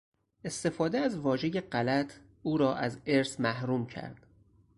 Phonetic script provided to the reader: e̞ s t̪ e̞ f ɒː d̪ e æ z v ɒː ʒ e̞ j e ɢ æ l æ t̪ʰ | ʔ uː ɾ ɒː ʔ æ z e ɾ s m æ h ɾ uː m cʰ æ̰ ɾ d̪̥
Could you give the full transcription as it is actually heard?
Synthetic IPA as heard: e̞ s t̪ e̞ f ɒː d̪ e æ z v ɒː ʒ e̞ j e ɢ æ l æ t̪ʰ | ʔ uː ɾ ɒː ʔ æ z e ɾ s m æ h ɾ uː m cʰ æ̰ ɾ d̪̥